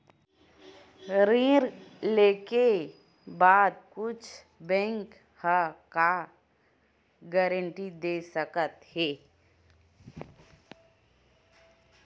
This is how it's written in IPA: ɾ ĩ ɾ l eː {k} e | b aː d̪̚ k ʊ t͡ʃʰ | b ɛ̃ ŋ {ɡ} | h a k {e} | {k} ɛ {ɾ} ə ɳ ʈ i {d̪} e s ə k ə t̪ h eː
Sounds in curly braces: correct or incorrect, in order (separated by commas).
correct, incorrect, incorrect, incorrect, correct, correct